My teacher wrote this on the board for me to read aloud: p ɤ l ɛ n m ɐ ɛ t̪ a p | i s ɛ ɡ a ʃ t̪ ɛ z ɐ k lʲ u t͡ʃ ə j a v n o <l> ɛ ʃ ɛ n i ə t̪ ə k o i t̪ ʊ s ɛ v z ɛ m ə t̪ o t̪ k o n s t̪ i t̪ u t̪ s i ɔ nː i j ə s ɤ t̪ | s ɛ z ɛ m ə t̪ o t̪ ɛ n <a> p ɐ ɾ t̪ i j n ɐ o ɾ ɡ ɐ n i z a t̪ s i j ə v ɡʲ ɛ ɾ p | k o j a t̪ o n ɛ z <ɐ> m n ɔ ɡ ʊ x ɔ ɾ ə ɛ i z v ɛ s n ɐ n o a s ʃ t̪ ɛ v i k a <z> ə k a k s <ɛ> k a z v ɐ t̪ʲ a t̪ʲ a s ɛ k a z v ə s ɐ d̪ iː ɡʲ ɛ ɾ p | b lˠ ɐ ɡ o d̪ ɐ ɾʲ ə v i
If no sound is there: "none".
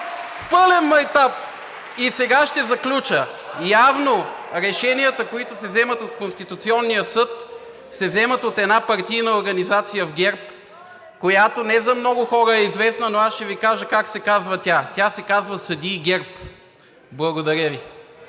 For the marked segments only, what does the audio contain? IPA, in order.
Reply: ɾ, a, ɐ, ʒ, ɛ

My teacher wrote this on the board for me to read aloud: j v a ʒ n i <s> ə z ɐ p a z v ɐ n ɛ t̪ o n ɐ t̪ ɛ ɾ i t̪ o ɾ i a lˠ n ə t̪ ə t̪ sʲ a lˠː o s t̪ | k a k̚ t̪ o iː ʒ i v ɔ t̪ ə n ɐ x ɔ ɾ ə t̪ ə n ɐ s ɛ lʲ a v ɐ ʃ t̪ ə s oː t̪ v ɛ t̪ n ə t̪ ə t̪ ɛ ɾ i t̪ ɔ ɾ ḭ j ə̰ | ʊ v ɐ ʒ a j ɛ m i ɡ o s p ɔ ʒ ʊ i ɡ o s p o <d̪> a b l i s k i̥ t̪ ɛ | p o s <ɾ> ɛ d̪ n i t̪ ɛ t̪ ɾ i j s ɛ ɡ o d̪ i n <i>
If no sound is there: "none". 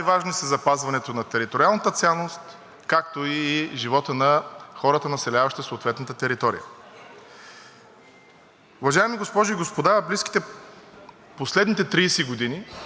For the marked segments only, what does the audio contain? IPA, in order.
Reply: s, d̪, l, i

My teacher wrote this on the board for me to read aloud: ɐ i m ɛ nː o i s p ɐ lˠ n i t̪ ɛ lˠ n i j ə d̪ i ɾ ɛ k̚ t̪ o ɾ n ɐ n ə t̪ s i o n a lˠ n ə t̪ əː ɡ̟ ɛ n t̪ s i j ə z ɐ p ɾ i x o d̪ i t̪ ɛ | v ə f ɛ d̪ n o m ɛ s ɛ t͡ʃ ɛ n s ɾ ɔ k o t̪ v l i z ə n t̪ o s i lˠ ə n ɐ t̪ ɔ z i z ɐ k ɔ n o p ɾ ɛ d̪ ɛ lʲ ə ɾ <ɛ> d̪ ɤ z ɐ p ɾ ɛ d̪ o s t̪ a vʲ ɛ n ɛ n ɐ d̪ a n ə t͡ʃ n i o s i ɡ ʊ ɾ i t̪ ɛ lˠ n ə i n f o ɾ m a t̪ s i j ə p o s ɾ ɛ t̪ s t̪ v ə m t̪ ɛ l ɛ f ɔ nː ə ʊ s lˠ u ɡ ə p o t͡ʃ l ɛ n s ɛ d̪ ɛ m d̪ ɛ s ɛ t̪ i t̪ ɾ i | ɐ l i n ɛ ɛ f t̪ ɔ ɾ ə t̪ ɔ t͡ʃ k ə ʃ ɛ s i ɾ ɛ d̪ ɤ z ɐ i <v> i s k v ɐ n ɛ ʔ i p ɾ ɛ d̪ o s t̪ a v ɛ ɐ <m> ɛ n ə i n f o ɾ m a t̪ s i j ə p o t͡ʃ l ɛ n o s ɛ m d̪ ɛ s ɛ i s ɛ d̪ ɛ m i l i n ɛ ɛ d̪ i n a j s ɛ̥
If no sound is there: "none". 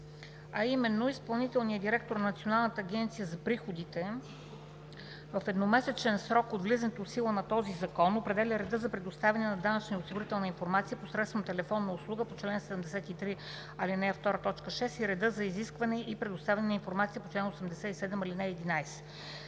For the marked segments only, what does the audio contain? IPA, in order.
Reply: ɛ, z, n

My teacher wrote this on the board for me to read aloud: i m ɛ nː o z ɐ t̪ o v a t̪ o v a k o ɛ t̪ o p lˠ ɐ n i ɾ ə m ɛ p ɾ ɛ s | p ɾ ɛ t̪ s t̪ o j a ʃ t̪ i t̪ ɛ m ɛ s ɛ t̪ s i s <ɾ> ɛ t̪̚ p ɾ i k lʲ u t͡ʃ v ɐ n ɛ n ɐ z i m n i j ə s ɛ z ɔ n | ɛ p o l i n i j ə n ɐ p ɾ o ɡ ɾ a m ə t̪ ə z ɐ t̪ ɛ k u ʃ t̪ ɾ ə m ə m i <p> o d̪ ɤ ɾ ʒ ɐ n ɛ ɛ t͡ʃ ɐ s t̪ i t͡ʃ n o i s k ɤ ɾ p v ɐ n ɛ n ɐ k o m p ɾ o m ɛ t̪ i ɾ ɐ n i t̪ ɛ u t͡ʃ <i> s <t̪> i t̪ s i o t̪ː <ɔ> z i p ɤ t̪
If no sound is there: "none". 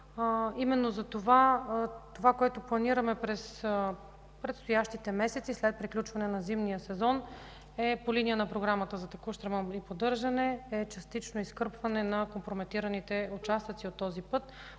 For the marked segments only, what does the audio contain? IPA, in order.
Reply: l, p, a, t̪, ɔ

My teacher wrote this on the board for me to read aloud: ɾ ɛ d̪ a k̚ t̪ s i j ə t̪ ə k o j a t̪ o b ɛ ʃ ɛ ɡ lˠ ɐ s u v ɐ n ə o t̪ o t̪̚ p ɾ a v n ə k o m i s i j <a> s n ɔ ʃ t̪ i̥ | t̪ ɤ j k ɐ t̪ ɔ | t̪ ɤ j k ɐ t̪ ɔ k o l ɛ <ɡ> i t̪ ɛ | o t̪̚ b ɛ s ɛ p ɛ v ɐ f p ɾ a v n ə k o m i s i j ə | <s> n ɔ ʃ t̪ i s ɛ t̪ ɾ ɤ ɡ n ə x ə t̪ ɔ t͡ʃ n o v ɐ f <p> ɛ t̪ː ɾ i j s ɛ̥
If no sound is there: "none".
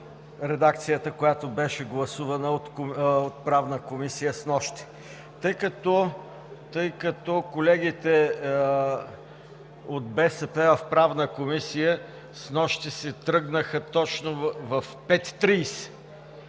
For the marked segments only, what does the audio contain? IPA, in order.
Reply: ə, ɡ, s, p

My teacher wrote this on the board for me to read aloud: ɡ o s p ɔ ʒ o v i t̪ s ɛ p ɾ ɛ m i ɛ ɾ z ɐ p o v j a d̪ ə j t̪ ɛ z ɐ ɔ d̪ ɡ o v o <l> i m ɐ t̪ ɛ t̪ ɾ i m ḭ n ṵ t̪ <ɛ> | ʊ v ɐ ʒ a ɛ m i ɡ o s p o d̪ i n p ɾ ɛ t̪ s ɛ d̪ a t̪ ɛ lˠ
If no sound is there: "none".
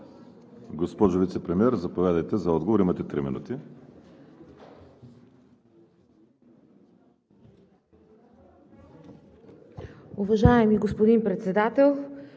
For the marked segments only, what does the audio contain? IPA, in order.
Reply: ɾ, i

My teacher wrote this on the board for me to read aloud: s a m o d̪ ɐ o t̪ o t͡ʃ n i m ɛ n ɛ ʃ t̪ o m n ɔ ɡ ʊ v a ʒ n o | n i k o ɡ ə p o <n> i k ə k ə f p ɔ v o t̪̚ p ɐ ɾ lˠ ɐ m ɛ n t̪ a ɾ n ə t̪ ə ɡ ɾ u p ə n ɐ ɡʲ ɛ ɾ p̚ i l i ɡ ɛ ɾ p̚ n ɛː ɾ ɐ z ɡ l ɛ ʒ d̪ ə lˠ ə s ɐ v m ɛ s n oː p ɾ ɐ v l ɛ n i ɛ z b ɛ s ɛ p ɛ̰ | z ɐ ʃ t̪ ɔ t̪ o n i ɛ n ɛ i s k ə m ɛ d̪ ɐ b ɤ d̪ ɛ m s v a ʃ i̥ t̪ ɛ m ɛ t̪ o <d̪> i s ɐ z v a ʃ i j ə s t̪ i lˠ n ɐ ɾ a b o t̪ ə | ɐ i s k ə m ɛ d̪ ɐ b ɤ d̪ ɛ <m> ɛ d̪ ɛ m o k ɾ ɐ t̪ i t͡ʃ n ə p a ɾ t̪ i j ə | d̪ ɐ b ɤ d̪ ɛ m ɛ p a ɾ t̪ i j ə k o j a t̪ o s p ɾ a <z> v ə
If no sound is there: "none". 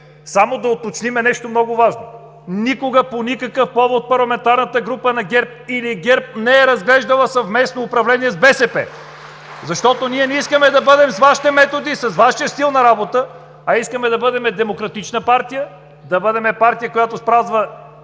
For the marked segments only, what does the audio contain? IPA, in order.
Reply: n, d̪, m, z

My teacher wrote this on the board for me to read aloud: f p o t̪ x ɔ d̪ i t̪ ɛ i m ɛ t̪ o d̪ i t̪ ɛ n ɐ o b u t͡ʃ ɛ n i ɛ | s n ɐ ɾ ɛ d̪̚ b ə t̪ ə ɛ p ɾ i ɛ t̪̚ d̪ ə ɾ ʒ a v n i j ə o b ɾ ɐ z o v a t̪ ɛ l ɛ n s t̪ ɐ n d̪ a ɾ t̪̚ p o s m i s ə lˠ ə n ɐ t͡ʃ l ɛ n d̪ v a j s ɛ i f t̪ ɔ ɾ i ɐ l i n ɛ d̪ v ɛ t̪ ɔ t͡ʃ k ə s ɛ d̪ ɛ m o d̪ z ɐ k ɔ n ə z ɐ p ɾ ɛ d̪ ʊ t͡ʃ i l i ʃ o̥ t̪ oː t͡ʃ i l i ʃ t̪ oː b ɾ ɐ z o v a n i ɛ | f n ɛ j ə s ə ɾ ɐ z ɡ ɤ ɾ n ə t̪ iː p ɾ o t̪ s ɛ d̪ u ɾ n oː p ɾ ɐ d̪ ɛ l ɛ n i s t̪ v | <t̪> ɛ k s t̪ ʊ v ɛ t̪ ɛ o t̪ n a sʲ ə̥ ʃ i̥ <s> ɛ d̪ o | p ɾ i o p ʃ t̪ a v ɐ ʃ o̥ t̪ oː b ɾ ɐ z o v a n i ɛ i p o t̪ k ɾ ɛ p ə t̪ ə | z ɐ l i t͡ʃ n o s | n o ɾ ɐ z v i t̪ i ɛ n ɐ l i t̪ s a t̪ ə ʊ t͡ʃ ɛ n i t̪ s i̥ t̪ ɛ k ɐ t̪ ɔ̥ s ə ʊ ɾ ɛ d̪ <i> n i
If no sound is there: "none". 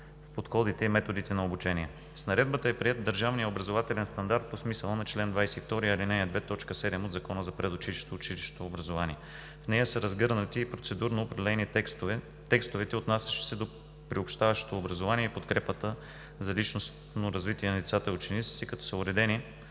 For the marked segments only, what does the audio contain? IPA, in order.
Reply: t̪, s, ɛ

